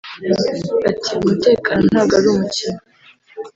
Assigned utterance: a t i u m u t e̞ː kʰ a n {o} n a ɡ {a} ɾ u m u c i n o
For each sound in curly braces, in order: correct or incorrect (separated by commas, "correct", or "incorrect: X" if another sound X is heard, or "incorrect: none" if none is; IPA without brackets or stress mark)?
correct, correct